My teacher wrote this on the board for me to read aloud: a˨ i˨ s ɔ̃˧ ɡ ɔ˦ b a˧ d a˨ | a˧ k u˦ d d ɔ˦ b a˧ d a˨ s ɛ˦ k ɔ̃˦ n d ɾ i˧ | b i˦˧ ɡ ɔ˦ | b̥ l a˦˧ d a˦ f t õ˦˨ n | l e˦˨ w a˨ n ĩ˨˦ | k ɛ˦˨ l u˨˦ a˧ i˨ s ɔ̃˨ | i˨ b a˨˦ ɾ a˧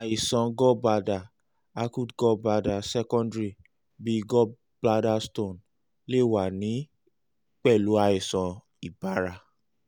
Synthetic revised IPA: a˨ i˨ s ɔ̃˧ ɡ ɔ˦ b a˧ d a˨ | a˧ k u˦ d ɡ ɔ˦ b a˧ d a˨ s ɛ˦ k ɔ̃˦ n d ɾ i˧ | b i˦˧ ɡ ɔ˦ | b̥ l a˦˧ d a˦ s t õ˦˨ n | l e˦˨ w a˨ n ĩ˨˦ | k͡p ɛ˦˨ l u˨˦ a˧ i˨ s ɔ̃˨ | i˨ b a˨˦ ɾ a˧